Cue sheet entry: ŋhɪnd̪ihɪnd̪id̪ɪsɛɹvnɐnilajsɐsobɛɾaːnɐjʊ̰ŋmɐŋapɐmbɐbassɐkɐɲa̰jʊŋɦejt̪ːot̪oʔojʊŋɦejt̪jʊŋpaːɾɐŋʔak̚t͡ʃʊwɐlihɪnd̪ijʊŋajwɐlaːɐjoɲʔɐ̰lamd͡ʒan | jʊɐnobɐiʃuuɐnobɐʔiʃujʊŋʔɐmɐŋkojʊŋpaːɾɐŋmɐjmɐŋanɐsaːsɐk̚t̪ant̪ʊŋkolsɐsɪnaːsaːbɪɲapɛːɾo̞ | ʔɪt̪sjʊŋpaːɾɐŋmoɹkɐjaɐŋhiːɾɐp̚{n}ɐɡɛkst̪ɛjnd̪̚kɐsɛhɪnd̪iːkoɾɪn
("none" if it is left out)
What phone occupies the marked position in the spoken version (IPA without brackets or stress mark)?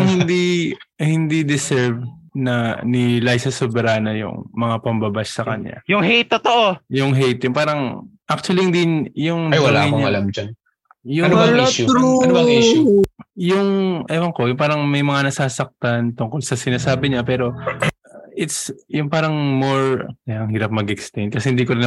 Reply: m